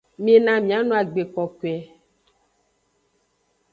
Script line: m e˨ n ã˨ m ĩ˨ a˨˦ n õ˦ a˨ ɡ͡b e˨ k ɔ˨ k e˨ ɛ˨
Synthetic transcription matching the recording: m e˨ n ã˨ m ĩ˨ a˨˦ n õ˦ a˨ ɡ͡b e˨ k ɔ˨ k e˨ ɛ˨